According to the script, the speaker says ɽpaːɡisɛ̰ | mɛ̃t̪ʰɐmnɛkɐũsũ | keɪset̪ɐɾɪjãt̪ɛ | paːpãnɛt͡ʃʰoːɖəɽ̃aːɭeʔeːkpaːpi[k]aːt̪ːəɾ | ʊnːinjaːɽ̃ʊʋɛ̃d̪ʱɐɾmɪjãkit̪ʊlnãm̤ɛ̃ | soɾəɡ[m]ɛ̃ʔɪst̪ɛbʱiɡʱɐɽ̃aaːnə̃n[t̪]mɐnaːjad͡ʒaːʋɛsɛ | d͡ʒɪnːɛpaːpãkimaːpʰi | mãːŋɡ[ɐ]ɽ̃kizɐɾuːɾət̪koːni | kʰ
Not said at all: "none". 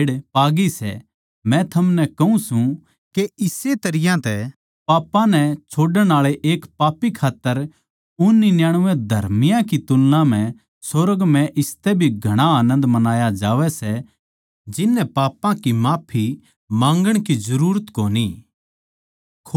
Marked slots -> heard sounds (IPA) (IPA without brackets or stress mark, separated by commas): kʰ, m, d̪, ə